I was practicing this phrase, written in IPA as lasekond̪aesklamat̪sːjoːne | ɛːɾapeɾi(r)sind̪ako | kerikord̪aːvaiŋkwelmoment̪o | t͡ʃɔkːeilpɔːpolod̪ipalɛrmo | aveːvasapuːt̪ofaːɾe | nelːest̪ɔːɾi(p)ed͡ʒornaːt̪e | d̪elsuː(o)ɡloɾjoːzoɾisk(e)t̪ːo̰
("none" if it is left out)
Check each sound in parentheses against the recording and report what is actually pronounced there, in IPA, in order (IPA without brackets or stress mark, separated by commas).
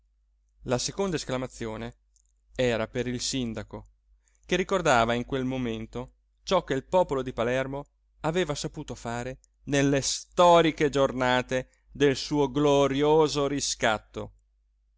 l, k, o, a